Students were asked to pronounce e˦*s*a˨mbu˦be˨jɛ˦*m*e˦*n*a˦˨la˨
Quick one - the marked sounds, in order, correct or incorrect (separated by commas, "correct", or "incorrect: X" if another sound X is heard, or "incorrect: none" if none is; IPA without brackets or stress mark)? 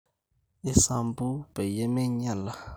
correct, correct, incorrect: ɲ